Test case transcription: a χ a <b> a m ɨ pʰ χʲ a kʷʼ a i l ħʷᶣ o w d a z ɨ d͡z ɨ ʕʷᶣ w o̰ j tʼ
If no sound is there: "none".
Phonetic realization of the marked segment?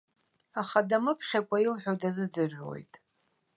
d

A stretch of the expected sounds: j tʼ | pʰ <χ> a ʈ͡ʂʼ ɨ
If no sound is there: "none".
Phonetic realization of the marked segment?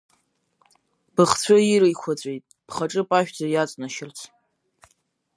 χ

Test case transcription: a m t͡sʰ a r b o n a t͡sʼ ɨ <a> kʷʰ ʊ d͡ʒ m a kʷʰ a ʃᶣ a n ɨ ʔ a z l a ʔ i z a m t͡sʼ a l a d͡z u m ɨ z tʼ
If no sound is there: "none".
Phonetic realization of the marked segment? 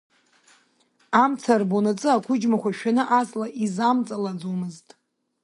a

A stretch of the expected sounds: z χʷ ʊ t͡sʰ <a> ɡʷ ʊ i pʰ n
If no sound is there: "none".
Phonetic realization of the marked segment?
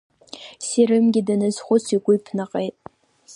i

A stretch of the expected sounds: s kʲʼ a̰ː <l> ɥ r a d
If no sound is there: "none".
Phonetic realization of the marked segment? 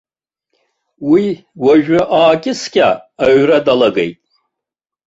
none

